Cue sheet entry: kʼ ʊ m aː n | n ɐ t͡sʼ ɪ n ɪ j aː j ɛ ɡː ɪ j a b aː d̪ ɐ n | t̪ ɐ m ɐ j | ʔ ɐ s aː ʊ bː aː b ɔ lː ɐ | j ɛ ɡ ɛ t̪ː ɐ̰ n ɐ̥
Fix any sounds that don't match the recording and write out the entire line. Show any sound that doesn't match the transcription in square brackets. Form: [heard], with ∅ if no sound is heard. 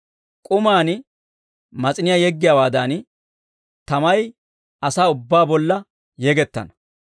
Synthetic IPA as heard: kʼ ʊ m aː n | [m] ɐ t͡sʼ ɪ n ɪ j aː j ɛ ɡː ɪ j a [w] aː d̪ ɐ n | t̪ ɐ m ɐ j | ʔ ɐ s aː ʊ bː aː b ɔ lː ɐ | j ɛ ɡ ɛ t̪ː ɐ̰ n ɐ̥